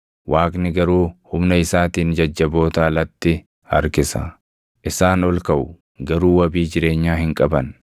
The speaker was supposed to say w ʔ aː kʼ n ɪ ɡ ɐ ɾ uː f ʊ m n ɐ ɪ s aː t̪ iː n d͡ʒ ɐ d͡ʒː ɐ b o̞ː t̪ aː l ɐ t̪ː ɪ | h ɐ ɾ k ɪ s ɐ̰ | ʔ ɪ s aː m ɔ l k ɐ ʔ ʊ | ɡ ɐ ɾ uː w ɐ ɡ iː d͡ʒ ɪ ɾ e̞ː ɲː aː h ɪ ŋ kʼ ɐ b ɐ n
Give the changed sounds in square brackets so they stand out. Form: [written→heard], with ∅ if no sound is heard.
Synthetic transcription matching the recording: w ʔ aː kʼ n ɪ ɡ ɐ ɾ uː [f→h] ʊ m n ɐ ɪ s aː t̪ iː n d͡ʒ ɐ d͡ʒː ɐ b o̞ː t̪ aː l ɐ t̪ː ɪ | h ɐ ɾ k ɪ s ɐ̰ | ʔ ɪ s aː [m→n] ɔ l k ɐ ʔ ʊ | ɡ ɐ ɾ uː w ɐ [ɡ→b] iː d͡ʒ ɪ ɾ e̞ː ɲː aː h ɪ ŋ kʼ ɐ b ɐ n